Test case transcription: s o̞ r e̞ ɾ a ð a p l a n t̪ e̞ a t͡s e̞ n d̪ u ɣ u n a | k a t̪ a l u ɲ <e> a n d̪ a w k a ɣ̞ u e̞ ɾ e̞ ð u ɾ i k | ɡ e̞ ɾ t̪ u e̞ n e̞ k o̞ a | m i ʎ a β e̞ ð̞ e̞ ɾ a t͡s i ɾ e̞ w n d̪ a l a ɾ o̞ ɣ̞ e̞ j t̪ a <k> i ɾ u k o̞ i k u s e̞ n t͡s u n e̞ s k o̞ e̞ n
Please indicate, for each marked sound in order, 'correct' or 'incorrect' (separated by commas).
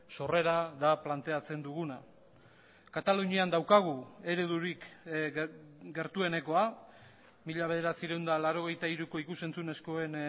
incorrect, incorrect